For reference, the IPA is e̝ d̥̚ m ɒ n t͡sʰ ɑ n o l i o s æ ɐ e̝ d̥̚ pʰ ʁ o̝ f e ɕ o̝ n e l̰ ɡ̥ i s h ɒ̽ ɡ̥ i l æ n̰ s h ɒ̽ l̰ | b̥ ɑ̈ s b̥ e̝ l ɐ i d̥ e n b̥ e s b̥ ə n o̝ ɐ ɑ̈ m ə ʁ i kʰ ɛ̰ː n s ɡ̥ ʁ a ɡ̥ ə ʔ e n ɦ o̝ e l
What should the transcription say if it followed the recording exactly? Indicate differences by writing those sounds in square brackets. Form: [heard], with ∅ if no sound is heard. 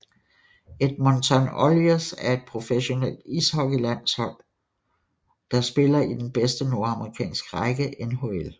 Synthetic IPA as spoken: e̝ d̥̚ m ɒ n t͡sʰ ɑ n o l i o s æ ɐ e̝ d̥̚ pʰ ʁ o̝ f e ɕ o̝ n e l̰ [d̥] i s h ɒ̽ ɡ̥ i l æ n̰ s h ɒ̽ l̰ | [d̥] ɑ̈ s b̥ e̝ l ɐ i d̥ e n b̥ e s [d̥] ə n o̝ ɐ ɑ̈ m ə ʁ i kʰ ɛ̰ː n s ɡ̥ ʁ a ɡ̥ ə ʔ e n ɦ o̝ e l